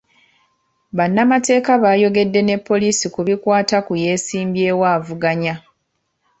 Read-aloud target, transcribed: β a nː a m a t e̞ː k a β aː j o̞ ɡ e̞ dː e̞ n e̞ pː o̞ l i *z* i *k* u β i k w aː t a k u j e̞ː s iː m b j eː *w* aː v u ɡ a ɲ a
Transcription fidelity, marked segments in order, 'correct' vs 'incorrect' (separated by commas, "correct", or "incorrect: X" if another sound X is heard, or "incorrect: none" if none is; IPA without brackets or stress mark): incorrect: s, correct, correct